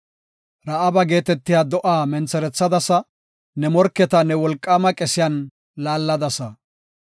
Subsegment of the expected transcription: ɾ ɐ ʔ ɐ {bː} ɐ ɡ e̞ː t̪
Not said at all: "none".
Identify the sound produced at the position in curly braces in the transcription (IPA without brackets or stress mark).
b